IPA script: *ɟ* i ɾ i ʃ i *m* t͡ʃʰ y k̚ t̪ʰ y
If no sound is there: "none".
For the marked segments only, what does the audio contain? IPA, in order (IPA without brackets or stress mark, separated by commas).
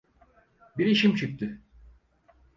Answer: b, m